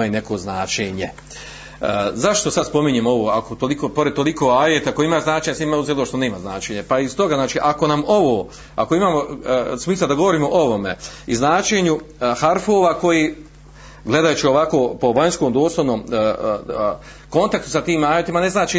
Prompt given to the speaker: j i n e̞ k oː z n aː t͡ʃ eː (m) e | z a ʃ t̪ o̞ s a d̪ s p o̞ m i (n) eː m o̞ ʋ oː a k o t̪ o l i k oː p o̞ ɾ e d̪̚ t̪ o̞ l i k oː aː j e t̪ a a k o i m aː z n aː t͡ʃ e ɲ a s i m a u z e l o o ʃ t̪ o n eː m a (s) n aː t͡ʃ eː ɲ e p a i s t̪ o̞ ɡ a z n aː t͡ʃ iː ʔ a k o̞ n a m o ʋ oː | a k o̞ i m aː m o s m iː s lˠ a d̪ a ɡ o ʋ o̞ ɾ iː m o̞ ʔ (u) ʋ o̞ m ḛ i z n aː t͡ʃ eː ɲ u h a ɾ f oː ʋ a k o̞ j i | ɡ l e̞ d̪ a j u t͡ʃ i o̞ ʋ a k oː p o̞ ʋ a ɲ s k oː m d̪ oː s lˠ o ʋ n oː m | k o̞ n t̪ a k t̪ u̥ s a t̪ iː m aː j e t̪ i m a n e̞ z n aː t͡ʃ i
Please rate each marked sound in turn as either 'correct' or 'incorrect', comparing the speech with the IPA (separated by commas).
incorrect, incorrect, incorrect, incorrect